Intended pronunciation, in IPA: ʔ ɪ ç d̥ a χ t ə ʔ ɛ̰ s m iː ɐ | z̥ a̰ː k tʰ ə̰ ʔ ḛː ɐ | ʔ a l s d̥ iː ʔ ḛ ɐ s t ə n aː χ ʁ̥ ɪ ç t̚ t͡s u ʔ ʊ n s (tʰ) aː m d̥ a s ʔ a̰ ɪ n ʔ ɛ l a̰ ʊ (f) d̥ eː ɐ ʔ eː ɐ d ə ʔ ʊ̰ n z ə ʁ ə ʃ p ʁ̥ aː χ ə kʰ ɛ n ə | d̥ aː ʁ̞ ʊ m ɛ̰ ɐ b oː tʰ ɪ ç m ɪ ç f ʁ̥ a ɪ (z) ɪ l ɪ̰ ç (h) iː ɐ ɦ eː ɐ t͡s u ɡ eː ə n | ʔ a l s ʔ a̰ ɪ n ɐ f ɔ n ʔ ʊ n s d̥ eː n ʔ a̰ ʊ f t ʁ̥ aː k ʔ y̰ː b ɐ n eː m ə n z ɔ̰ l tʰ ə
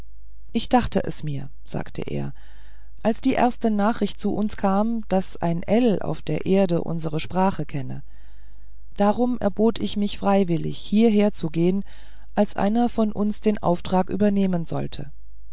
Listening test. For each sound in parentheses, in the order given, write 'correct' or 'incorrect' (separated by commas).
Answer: incorrect, correct, incorrect, correct